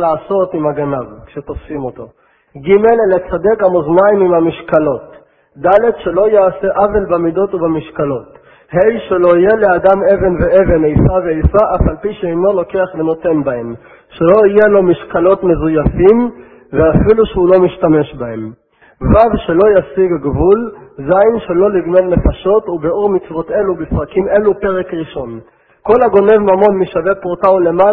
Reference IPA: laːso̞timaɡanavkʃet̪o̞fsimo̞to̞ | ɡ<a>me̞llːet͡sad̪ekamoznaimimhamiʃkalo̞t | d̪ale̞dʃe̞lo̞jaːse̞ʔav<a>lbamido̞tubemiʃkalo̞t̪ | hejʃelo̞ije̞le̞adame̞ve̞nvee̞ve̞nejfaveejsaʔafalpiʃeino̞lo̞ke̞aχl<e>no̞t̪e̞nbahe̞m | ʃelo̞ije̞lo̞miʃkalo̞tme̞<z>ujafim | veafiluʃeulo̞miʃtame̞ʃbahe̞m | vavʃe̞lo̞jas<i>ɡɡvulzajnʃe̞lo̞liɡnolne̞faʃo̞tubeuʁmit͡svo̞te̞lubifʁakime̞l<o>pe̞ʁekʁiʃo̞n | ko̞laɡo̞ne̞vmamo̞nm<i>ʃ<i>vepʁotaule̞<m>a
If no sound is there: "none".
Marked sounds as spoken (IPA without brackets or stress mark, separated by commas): i, e, e, z, i, u, i, a, m